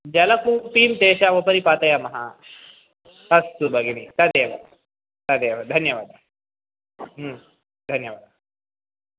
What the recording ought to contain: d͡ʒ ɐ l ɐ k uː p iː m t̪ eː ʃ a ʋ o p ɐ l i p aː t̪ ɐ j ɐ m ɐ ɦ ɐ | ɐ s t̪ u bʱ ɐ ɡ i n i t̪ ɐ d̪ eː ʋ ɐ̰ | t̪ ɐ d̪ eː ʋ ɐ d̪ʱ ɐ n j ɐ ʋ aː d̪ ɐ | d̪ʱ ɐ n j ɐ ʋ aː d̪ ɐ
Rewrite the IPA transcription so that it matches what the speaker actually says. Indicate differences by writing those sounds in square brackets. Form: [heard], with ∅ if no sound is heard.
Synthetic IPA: d͡ʒ ɐ l ɐ k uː p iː m t̪ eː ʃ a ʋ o p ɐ [ɾ] i p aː t̪ ɐ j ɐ m ɐ ɦ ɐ | ɐ s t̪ u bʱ ɐ ɡ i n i t̪ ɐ d̪ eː ʋ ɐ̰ | t̪ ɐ d̪ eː ʋ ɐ d̪ʱ ɐ n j ɐ ʋ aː d̪ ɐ | d̪ʱ ɐ n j ɐ ʋ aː d̪ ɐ